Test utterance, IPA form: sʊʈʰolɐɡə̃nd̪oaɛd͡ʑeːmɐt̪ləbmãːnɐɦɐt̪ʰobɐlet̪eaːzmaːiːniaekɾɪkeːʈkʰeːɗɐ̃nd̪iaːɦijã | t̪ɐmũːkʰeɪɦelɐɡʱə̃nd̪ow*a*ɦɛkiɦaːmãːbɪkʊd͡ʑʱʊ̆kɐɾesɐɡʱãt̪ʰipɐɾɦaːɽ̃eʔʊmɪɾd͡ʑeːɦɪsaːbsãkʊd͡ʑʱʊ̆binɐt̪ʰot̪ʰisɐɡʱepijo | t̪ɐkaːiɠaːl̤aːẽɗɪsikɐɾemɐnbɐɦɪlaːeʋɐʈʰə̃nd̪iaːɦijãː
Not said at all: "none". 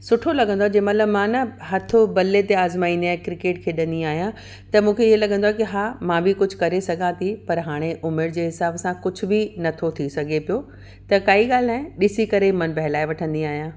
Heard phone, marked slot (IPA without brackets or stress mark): a